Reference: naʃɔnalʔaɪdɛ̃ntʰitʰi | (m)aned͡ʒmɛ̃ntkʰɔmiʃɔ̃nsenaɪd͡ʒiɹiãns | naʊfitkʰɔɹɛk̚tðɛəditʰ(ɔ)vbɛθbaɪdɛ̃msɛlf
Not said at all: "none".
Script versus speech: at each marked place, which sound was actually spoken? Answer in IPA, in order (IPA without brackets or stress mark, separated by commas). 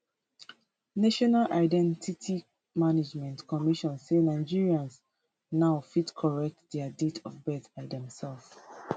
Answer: m, ɔ